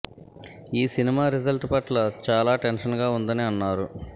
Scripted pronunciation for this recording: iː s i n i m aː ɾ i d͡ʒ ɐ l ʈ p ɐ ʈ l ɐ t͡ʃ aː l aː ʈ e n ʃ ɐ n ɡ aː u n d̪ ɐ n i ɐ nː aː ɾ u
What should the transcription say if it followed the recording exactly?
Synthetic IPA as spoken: iː s i n i m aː ɾ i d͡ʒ ɐ l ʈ p ɐ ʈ l ɐ t͡ʃ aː l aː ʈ e n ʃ ɐ n ɡ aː u n d̪ ɐ n i ɐ nː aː ɾ u